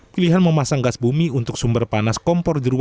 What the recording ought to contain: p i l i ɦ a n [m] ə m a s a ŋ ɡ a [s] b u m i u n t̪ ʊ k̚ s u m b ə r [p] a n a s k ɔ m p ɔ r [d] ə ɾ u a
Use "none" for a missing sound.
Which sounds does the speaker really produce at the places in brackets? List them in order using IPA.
m, s, p, d

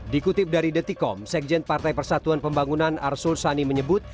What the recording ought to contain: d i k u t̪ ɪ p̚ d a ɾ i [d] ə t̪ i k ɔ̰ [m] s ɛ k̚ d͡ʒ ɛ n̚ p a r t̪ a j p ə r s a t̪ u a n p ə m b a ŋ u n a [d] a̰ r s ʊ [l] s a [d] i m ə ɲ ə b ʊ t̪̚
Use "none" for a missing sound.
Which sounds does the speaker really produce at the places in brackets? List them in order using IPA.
d, m, n, l, n

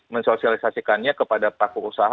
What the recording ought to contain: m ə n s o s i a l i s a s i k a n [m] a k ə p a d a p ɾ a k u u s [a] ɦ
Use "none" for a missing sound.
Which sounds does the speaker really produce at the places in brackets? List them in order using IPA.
ɲ, a

